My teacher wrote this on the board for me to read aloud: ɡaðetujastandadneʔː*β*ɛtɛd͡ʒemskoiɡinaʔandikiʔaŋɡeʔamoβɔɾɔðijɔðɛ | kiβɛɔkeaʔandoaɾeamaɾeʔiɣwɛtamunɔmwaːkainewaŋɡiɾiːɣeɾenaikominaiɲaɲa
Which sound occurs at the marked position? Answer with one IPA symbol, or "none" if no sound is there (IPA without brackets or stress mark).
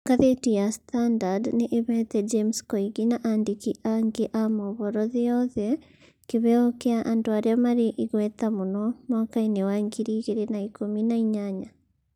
β